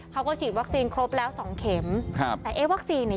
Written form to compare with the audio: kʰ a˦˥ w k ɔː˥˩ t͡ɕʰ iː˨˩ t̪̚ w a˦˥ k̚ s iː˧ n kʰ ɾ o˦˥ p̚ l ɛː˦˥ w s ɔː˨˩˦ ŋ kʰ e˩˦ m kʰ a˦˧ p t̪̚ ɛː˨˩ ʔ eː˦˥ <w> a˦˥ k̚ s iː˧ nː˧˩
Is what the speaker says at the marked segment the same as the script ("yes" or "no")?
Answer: yes